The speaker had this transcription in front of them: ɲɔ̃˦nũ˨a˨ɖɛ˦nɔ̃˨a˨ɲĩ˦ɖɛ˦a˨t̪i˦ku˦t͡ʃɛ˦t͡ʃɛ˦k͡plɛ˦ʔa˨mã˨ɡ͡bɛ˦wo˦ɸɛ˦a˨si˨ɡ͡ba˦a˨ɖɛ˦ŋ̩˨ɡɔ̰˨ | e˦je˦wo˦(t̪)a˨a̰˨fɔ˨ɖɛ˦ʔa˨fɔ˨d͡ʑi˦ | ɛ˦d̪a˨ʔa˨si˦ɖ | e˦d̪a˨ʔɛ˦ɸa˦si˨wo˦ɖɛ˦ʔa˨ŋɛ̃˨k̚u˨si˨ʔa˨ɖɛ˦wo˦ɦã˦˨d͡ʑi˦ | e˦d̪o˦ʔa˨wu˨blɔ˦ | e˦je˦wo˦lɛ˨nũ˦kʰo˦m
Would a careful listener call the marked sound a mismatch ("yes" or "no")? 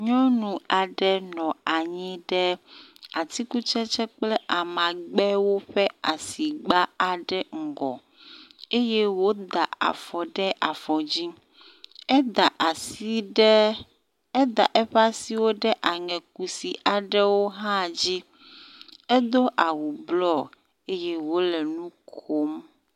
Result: yes